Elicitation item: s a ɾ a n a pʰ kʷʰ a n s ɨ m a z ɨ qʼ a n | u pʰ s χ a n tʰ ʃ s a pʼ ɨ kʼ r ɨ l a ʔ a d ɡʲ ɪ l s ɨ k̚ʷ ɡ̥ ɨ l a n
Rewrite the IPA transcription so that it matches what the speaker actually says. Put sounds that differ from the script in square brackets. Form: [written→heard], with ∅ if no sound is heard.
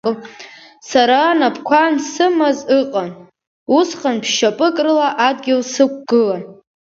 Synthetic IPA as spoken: s a ɾ a n a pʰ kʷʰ a n s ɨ m a z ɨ qʼ a n | u [pʰ→∅] s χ a n [tʰ→pʰ] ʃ [s→ʃ] a pʼ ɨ kʼ r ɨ l a ʔ a d ɡʲ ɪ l s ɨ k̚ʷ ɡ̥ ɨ l a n

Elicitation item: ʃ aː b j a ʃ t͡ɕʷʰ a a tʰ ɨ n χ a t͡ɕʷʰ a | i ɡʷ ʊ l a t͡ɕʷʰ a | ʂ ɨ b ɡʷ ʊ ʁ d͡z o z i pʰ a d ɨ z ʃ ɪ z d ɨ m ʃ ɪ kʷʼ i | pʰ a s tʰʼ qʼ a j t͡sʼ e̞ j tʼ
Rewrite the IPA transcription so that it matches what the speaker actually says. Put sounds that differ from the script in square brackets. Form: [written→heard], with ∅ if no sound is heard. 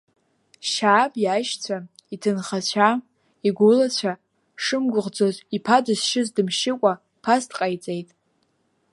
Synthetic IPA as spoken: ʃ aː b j a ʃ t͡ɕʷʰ a [a→i] tʰ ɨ n χ a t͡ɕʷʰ a | i ɡʷ ʊ l a t͡ɕʷʰ a | ʂ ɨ [b→m] ɡʷ ʊ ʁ d͡z o z i pʰ a d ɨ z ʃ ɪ z d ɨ m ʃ ɪ kʷʼ [i→a] | pʰ a s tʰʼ qʼ a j t͡sʼ e̞ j tʼ

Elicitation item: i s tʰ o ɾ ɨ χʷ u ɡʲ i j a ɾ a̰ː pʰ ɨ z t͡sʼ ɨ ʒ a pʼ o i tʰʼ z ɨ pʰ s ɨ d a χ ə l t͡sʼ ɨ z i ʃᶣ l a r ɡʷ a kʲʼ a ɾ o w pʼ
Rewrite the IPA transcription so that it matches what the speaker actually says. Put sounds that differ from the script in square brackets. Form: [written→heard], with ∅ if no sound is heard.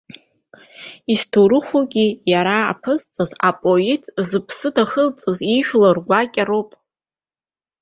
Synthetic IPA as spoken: i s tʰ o ɾ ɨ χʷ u ɡʲ i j a ɾ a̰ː pʰ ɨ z t͡sʼ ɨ [ʒ→z] a pʼ o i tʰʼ z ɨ pʰ s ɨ d a χ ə l t͡sʼ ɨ z i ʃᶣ l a r ɡʷ a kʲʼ a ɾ o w pʼ

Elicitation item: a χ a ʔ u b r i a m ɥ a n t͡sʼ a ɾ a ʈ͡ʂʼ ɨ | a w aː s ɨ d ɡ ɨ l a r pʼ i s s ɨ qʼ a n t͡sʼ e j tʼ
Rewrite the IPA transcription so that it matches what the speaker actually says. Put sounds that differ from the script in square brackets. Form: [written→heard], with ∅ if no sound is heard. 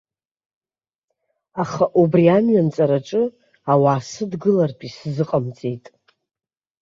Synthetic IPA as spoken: a χ a ʔ u b r i a m ɥ a n t͡sʼ a ɾ a ʈ͡ʂʼ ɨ | a w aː s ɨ d ɡ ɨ l a r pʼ i s [s→z] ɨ qʼ a [n→m] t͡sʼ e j tʼ

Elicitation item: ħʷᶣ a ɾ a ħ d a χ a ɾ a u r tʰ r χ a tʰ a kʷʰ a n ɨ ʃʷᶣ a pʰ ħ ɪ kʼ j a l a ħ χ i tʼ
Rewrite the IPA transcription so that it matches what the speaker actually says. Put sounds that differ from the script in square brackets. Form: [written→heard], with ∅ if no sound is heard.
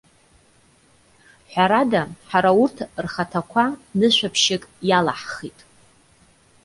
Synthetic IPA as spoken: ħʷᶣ a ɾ a [ħ→∅] d a [χ→ħ] a ɾ a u r tʰ r χ a tʰ a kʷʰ a n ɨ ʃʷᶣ a pʰ [ħ→ʃ] ɪ kʼ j a l a ħ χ i tʼ

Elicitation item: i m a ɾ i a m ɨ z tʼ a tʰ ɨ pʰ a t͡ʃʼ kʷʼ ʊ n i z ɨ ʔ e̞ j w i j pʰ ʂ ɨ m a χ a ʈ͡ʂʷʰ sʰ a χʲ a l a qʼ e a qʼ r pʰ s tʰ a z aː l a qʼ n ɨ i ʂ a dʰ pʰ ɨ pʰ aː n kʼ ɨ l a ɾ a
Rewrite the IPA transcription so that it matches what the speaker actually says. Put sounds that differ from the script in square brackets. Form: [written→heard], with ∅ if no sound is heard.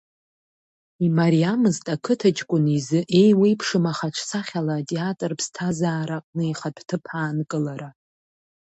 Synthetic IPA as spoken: i m a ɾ i a m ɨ z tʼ a [tʰ→kʰ] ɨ [pʰ→tʰ] a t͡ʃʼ kʷʼ ʊ n i z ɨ ʔ e̞ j w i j pʰ ʂ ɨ m a χ a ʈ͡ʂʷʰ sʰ a χʲ a l a [qʼ→tʼ] e a [qʼ→tʼ] r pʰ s tʰ a z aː [l→ɾ] a qʼ n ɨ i [ʂ→χ] a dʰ [pʰ→tʰ] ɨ pʰ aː n kʼ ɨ l a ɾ a

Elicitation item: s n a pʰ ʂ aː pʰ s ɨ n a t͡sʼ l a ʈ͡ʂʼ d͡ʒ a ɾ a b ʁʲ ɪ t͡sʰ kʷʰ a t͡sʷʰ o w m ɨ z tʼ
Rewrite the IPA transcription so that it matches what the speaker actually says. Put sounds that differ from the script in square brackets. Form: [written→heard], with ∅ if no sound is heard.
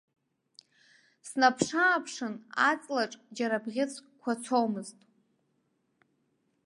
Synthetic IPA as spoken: s n a pʰ ʂ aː pʰ [s→ʂ] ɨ n a t͡sʼ l a ʈ͡ʂʼ d͡ʒ a ɾ a b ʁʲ ɪ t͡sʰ kʷʰ a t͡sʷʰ o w m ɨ z tʼ

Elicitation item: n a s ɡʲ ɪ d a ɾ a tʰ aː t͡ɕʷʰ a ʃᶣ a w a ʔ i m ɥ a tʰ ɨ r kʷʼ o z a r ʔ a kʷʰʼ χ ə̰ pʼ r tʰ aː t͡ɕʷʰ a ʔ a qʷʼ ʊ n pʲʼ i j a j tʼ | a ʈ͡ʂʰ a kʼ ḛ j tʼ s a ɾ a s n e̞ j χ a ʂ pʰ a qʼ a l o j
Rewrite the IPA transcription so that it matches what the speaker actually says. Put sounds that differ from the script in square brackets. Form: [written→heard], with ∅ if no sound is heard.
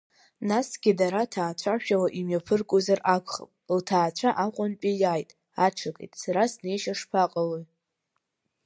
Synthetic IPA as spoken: n a s ɡʲ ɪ d a ɾ a tʰ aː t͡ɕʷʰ a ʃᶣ a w a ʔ i m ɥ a [tʰ→pʰ] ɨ r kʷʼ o z a r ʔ a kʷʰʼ χ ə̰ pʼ [r→l] tʰ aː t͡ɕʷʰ a ʔ a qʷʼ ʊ n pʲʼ i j a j tʼ | a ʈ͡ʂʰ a kʼ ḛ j tʼ s a ɾ a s n e̞ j [χ→ʃ] a ʂ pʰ a qʼ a l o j

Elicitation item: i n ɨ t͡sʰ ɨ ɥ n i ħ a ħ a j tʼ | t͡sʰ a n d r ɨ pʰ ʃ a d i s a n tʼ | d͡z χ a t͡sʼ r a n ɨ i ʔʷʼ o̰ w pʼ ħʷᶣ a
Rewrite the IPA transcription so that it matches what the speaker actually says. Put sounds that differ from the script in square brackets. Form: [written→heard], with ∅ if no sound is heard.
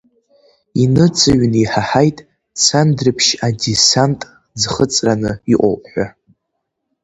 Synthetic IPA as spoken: i n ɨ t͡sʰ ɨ ɥ n i ħ a ħ a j tʼ | t͡sʰ a n d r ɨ pʰ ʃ a d i s a n tʼ | d͡z χ [a→ə] t͡sʼ r a n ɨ i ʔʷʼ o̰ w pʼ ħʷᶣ a

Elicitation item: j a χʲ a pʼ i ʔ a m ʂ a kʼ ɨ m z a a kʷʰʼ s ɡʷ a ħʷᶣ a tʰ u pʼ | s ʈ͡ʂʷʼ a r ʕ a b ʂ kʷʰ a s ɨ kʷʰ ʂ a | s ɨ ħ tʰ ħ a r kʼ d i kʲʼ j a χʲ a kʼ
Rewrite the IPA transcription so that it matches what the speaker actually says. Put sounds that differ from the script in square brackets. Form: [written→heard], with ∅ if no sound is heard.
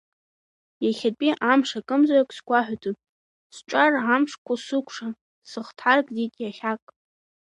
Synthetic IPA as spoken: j a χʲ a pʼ i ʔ a m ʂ a kʼ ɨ m z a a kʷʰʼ s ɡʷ a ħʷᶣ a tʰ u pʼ | s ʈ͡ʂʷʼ a r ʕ a [b→m] ʂ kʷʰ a s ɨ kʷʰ ʂ a | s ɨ [ħ→χ] tʰ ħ a r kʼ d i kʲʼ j a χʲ a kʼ

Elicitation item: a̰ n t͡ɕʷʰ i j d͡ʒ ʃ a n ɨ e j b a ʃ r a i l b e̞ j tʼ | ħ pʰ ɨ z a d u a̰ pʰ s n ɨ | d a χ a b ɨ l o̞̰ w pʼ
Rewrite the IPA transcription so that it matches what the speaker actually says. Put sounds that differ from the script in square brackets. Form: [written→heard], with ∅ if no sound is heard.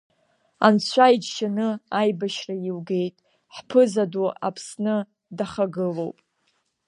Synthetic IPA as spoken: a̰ n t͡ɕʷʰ [i→a] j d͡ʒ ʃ a n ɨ [e→a] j b a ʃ r a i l [b→ɡ] e̞ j tʼ | ħ pʰ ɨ z a d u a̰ pʰ s n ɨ | d a χ a [b→ɡ] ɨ l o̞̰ w pʼ

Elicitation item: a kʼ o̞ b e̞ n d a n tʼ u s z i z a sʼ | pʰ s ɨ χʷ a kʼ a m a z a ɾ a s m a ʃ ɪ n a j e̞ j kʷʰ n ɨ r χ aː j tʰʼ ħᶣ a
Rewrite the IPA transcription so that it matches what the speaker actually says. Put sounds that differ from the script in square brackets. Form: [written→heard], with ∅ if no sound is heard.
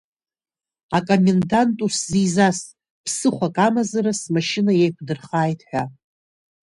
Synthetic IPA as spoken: a kʼ o̞ [b→m] e̞ n d a n tʼ u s z i z a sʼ | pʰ s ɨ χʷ a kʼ a m a z a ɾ a s m a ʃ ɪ n a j e̞ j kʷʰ [n→d] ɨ r χ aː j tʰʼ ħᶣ a

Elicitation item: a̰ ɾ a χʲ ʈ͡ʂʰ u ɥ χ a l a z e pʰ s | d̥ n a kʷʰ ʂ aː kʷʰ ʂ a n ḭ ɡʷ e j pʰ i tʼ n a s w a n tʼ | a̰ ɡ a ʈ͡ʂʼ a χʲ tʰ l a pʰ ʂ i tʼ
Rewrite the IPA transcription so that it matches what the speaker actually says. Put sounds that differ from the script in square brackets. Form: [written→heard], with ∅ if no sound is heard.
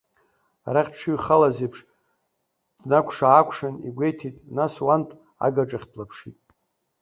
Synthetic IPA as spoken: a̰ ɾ a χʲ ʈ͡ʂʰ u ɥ χ a l a z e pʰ [s→ʂ] | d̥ n a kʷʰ ʂ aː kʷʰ ʂ a n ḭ ɡʷ e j [pʰ→tʰ] i tʼ n a s w a n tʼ | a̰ ɡ a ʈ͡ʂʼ a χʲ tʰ l a pʰ ʂ i tʼ

